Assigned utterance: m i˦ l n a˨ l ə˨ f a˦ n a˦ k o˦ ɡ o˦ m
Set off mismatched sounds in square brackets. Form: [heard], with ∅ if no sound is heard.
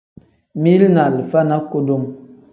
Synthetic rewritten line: m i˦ l n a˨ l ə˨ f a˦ n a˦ k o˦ [d] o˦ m